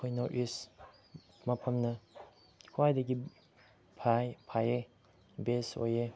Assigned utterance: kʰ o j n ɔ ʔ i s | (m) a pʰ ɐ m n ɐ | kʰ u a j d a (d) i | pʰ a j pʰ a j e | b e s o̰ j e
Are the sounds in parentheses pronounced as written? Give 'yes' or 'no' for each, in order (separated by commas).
yes, no